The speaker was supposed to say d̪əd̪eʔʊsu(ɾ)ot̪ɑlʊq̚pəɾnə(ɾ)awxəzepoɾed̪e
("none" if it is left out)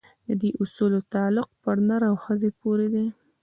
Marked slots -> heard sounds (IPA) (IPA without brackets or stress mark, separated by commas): l, ɾ